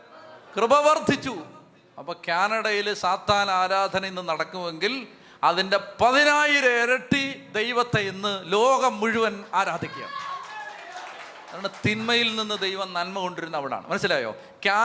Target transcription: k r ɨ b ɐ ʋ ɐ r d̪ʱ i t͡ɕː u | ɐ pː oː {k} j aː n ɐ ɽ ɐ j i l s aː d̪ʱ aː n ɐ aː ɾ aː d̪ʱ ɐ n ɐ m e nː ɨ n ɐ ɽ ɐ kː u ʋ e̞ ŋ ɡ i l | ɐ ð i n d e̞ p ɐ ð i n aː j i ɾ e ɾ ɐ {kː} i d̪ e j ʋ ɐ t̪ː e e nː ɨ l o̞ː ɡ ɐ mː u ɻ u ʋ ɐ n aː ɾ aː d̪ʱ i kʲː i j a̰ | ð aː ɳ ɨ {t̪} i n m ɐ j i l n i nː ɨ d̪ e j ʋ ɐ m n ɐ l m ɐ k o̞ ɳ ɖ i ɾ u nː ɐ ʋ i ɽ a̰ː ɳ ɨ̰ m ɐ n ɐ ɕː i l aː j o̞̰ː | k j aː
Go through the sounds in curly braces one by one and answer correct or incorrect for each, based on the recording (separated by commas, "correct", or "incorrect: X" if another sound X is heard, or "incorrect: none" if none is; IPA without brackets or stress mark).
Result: correct, incorrect: ʈː, correct